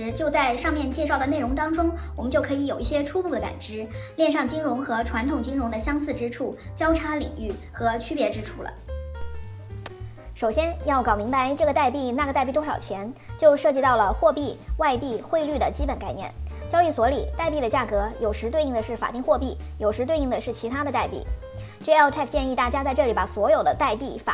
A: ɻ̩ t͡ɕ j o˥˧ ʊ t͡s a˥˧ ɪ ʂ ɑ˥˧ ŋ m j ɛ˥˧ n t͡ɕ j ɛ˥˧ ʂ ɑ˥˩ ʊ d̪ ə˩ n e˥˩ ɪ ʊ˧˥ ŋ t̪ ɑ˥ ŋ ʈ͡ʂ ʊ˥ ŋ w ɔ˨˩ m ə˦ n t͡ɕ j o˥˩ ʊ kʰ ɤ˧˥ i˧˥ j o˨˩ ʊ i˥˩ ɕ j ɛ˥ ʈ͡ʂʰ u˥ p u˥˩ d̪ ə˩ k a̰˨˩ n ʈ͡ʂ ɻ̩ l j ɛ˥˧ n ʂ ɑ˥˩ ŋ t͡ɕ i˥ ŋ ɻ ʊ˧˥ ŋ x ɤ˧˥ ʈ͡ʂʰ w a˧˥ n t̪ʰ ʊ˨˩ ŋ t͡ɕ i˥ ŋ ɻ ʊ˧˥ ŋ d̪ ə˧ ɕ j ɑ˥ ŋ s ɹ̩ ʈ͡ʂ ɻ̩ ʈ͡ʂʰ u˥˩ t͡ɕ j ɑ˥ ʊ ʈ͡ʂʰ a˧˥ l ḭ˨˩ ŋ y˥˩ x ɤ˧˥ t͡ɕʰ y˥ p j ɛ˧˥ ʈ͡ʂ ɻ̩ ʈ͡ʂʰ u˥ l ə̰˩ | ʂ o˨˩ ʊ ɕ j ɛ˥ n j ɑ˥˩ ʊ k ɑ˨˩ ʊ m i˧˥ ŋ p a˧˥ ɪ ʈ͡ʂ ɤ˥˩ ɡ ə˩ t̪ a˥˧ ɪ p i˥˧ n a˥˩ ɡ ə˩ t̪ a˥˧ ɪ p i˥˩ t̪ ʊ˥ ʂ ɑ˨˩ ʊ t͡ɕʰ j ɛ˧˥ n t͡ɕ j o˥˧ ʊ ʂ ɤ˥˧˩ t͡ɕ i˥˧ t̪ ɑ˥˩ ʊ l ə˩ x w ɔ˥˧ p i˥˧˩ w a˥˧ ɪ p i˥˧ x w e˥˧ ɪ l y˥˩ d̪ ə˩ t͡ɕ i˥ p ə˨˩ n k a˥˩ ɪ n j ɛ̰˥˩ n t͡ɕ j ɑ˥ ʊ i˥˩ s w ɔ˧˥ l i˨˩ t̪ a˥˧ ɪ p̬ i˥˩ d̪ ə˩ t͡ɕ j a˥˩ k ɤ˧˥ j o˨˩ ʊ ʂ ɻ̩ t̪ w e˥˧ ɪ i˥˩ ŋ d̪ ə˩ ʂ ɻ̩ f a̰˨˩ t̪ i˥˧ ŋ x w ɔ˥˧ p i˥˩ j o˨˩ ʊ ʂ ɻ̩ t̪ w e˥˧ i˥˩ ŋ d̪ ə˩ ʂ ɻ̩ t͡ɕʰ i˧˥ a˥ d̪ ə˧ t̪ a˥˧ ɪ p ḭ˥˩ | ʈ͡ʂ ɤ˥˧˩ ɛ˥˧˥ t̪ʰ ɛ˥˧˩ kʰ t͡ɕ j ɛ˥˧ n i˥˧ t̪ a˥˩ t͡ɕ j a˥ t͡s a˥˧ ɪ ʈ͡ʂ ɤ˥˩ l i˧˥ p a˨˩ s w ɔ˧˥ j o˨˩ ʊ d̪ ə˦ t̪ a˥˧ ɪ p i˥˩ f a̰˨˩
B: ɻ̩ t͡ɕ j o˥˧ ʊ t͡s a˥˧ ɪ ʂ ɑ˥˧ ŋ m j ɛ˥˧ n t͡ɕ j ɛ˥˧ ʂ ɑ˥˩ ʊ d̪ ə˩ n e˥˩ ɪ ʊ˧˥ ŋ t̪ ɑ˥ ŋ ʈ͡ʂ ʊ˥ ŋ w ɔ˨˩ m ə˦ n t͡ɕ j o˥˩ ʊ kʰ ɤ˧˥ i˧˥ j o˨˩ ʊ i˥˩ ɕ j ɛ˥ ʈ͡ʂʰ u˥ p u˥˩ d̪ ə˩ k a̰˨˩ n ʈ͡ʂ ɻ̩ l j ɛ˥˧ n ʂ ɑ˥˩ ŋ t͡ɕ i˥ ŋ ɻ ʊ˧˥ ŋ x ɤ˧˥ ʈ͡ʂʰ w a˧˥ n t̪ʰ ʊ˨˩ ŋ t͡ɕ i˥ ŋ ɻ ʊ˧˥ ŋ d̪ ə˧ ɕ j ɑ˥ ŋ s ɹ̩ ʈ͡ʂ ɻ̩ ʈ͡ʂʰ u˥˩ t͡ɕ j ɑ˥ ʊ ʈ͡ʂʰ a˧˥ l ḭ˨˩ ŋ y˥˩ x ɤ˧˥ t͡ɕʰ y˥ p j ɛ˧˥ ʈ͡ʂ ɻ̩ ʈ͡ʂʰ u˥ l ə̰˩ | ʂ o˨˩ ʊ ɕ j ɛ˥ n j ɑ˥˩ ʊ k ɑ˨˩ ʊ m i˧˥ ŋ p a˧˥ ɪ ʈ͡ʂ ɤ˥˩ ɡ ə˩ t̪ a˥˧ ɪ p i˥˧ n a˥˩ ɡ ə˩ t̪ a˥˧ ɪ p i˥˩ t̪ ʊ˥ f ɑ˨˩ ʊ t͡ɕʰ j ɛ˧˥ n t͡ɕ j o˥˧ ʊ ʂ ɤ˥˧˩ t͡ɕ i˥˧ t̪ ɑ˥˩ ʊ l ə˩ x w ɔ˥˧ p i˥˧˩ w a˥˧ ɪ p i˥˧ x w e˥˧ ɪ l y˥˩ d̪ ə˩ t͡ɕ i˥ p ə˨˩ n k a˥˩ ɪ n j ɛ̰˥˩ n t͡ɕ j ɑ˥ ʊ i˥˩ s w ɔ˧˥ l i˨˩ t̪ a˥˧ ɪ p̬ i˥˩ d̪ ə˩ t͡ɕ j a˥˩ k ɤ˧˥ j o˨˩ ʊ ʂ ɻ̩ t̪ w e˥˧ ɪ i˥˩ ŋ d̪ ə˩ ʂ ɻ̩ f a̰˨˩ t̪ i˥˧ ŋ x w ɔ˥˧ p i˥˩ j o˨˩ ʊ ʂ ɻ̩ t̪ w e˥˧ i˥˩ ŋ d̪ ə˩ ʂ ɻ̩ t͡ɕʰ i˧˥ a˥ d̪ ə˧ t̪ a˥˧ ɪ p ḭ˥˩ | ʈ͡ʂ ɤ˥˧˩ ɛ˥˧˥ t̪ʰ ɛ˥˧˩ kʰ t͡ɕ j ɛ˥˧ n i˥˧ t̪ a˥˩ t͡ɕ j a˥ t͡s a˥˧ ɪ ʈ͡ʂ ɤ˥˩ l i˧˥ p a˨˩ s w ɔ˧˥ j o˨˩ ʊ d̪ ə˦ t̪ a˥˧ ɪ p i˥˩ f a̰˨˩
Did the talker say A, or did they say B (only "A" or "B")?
A